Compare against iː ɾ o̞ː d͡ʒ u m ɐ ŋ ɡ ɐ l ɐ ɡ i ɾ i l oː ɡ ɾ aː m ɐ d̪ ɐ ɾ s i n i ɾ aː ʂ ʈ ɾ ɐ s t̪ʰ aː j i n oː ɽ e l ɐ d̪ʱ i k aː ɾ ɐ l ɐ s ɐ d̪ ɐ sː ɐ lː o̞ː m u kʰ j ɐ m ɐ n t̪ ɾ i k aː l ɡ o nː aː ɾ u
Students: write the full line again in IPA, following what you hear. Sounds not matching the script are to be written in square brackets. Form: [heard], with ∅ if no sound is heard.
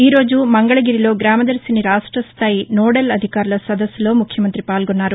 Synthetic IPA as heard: iː ɾ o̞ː d͡ʒ u m ɐ ŋ ɡ ɐ [ɭ] ɐ ɡ i ɾ i l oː ɡ ɾ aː m ɐ d̪ ɐ ɾ s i n i ɾ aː ʂ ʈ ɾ ɐ s t̪ʰ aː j i n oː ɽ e l ɐ d̪ʱ i k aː ɾ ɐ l ɐ s ɐ d̪ ɐ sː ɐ [l] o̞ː m u kʰ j ɐ m ɐ n t̪ ɾ i [p] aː l ɡ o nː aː ɾ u